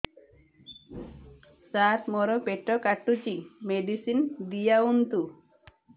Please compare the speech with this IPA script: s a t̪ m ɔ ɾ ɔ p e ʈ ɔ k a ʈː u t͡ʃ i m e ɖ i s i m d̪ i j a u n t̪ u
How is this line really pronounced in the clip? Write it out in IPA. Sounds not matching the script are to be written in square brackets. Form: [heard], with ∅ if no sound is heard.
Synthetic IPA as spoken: s a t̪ m ɔ ɾ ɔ p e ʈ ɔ k a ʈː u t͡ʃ i m e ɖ i s i [n] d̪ i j a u n t̪ u